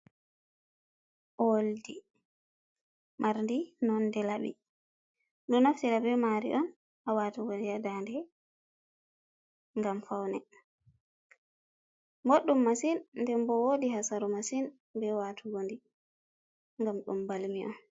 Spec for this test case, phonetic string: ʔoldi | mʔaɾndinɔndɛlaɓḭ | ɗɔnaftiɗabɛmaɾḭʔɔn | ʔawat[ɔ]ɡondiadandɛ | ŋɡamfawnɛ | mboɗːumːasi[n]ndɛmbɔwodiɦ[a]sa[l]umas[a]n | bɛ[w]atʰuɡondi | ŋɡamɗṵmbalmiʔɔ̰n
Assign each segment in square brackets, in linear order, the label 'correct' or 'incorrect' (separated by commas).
incorrect, correct, correct, incorrect, incorrect, correct